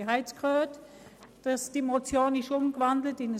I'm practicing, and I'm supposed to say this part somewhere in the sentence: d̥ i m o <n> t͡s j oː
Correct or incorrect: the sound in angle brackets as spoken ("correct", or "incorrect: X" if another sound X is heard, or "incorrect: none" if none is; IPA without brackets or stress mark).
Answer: incorrect: none